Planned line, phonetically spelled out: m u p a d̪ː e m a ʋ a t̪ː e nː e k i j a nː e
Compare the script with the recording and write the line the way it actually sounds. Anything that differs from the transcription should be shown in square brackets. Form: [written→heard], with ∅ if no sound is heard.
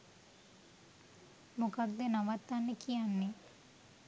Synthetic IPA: m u [p→k] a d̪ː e [m→n] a ʋ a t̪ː [e→a] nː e k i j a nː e